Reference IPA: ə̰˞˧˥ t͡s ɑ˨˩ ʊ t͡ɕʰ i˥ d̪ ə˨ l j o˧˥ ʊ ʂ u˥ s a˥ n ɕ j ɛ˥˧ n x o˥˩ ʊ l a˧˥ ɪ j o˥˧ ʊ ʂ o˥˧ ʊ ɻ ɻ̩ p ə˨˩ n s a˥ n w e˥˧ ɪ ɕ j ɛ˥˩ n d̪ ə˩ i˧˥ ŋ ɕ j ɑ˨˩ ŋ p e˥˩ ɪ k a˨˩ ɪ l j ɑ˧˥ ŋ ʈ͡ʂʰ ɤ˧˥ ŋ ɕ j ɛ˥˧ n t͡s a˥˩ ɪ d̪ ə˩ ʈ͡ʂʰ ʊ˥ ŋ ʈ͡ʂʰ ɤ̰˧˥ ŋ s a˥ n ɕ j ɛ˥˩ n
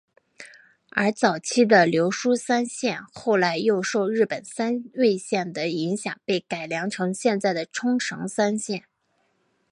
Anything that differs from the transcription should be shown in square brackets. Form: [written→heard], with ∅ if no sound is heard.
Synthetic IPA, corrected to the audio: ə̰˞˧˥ t͡s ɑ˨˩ ʊ t͡ɕʰ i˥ d̪ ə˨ l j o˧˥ ʊ ʂ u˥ s a˥ n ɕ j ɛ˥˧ n x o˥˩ ʊ l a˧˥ ɪ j o˥˧ ʊ ʂ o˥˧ ʊ ɻ ɻ̩ p ə˨˩ n s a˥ n w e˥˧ ɪ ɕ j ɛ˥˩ n d̪ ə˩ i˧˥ ŋ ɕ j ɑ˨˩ ŋ p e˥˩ ɪ k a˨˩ ɪ l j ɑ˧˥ ŋ ʈ͡ʂʰ ɤ˧˥ ŋ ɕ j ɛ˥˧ n t͡s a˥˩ ɪ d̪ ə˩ ʈ͡ʂʰ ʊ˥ ŋ ʈ͡ʂʰ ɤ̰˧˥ ŋ s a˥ n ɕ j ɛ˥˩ n